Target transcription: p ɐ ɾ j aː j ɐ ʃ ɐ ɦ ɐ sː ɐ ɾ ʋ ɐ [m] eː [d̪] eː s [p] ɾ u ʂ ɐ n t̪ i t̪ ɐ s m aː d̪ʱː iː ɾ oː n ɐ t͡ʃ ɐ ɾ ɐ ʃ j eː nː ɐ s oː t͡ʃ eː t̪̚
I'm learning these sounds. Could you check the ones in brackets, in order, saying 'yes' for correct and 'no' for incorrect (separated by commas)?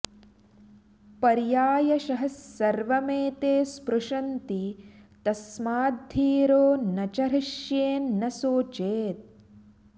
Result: yes, no, yes